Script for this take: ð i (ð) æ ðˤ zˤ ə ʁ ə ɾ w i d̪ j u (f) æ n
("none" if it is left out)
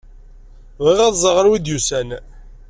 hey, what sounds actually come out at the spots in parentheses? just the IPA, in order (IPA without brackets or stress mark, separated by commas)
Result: ʁ, s